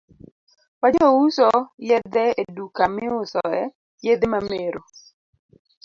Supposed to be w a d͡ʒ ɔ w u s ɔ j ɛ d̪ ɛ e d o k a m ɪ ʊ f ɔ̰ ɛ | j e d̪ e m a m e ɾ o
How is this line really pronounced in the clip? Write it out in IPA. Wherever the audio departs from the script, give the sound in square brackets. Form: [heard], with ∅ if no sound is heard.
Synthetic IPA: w a d͡ʒ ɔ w u s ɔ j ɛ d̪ ɛ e d [u] k a m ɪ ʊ [s] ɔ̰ ɛ | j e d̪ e m a m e ɾ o